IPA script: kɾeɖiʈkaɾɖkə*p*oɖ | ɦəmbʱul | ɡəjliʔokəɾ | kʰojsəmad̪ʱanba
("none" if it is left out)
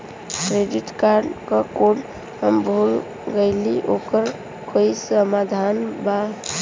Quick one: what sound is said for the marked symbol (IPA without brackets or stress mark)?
k